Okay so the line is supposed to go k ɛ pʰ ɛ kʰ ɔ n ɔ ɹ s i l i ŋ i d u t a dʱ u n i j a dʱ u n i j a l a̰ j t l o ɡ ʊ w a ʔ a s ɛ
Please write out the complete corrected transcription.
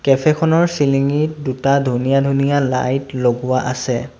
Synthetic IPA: k ɛ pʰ ɛ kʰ ɔ n ɔ ɹ s i l i ŋ i d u t a dʱ u n i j a dʱ u n i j a l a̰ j t l o ɡ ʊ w a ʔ a s ɛ